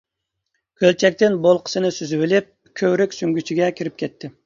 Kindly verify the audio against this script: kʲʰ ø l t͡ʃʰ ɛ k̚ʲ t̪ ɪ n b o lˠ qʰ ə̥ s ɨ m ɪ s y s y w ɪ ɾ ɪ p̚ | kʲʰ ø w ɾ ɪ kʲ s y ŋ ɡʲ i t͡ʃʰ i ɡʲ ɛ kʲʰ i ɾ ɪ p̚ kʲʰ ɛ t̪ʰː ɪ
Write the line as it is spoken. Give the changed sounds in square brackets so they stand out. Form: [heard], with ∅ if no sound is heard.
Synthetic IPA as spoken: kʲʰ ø l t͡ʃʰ ɛ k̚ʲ t̪ ɪ n b o lˠ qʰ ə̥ s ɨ [n] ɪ s y [z] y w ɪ [l] ɪ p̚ | kʲʰ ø w ɾ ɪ kʲ s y ŋ ɡʲ [y] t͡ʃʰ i ɡʲ ɛ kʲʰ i ɾ ɪ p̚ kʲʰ ɛ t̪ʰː ɪ